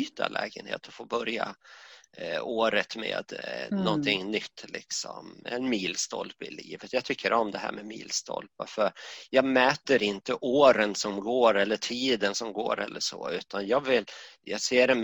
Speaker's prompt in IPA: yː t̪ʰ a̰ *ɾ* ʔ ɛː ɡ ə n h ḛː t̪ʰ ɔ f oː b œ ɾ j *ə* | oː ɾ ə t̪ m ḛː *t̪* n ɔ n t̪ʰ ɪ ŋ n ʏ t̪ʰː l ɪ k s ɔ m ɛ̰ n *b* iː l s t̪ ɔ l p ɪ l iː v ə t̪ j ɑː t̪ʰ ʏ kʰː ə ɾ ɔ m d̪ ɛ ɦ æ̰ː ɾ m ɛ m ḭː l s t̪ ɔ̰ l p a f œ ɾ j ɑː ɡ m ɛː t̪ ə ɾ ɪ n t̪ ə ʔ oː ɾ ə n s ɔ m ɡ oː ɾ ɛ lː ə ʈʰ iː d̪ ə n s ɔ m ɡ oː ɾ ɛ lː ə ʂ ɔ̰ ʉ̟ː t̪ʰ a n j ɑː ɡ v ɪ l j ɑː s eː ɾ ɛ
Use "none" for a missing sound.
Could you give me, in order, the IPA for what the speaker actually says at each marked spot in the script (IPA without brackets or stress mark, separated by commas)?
l, a, d̪, m